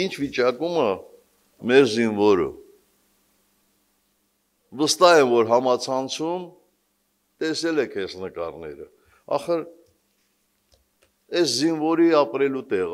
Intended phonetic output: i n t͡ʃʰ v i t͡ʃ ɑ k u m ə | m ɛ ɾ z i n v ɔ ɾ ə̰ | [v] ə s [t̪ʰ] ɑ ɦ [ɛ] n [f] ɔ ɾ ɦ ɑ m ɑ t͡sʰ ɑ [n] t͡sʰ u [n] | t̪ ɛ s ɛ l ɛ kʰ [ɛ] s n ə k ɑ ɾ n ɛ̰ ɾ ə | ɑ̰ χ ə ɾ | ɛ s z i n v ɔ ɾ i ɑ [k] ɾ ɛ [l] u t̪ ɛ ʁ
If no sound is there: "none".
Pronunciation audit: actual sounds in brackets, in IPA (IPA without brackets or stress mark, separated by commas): v, t̪, ɛ, v, n, m, ɛ, p, l